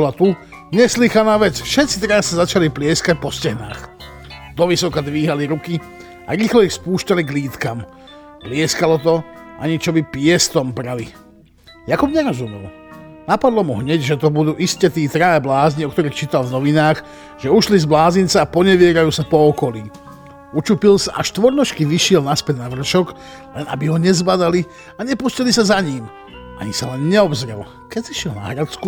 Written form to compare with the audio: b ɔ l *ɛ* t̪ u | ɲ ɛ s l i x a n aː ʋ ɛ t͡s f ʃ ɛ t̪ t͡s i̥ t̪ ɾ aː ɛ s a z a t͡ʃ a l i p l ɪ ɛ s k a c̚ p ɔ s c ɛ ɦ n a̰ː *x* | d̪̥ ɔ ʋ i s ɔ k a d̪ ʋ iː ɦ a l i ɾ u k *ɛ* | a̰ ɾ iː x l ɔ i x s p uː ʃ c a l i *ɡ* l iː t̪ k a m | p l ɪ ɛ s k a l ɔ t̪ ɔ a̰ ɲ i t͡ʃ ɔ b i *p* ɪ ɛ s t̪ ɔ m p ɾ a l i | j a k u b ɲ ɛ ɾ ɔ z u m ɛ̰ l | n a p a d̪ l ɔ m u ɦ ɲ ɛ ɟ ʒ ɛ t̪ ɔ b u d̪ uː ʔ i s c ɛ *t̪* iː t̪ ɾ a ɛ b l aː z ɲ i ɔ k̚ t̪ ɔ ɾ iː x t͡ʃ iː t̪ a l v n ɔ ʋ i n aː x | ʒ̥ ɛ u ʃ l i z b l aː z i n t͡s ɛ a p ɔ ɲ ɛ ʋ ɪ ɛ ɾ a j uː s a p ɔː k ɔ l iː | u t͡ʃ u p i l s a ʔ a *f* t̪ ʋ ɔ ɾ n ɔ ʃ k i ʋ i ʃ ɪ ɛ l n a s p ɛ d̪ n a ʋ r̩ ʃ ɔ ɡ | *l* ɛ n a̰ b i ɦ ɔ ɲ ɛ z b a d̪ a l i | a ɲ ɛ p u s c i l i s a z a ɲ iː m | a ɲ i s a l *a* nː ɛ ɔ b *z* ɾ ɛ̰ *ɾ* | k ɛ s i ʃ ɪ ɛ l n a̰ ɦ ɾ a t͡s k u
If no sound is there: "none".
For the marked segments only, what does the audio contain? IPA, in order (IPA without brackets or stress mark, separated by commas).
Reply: a, x, i, ɡ, p, t̪, ʃ, l, ɛ, z, l